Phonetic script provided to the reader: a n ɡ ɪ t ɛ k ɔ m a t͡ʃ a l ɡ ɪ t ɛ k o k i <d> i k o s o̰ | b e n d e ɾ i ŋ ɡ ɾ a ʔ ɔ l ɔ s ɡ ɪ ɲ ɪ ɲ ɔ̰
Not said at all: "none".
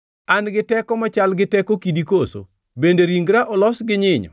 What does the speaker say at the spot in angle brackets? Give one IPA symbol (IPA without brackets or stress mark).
d